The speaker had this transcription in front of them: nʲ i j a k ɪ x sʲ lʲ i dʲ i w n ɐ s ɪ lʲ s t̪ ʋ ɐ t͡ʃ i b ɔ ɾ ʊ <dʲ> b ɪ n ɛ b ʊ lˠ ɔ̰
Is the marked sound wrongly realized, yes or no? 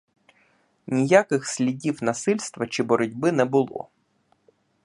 no